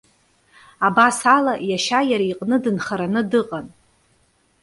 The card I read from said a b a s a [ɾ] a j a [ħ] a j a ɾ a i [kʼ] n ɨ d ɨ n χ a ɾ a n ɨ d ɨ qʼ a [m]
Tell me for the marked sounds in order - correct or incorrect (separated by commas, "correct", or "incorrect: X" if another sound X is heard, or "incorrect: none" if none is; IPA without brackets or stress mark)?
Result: incorrect: l, incorrect: ʃ, incorrect: qʼ, incorrect: n